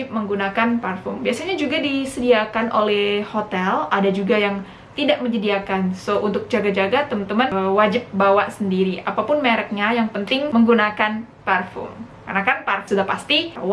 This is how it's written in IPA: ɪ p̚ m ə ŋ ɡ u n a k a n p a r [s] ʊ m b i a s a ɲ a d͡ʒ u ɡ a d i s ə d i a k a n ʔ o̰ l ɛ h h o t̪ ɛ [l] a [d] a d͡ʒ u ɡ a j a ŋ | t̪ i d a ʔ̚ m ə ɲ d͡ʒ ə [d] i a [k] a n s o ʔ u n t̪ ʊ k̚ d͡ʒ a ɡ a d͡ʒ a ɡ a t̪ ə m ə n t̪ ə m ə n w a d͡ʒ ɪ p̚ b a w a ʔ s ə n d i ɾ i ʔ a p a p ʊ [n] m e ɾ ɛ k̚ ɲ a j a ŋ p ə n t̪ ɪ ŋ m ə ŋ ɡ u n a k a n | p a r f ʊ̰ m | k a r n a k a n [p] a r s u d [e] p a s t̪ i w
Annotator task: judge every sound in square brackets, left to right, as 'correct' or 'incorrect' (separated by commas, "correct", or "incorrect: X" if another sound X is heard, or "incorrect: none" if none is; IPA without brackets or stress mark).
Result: incorrect: f, correct, correct, correct, correct, correct, correct, incorrect: a